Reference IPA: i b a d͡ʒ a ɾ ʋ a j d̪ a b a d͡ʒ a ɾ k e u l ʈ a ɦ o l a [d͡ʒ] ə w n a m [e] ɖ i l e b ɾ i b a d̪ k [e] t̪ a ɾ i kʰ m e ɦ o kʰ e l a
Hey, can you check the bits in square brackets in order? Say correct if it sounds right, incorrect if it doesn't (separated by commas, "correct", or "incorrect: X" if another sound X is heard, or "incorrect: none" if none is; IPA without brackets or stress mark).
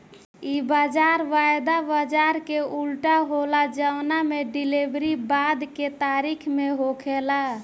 correct, correct, correct